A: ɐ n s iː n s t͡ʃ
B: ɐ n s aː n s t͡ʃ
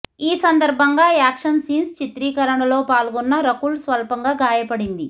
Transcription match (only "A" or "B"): A